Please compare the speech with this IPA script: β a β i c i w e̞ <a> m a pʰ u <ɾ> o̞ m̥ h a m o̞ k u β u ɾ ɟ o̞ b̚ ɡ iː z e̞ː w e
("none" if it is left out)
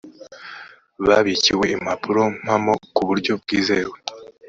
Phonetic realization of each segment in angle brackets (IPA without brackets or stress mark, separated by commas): i, ɾ